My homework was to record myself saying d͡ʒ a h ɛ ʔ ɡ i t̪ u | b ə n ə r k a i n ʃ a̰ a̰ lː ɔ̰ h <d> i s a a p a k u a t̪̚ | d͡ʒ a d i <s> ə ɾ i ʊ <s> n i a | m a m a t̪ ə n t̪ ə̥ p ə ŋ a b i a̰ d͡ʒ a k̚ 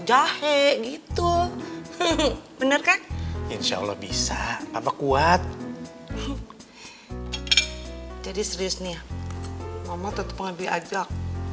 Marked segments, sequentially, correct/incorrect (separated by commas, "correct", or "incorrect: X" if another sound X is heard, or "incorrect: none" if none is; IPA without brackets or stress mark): incorrect: b, correct, correct